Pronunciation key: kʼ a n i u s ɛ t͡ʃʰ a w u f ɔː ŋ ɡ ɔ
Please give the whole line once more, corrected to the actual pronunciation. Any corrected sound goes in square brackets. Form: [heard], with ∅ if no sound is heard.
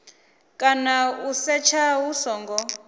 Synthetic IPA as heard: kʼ a n [a] u s ɛ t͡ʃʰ a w u [s] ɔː ŋ ɡ ɔ